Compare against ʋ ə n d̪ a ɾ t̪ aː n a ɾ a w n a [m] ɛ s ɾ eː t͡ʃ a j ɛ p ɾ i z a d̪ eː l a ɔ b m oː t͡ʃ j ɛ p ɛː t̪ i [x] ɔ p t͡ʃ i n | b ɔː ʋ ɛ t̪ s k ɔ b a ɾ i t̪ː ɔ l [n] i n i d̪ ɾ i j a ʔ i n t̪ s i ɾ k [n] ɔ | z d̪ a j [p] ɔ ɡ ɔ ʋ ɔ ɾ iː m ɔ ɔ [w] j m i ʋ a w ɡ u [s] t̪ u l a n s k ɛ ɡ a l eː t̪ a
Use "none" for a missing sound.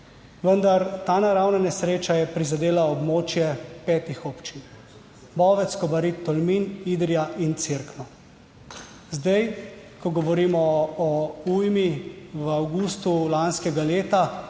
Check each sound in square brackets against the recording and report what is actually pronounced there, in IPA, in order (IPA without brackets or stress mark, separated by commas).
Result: n, x, m, n, k, u, s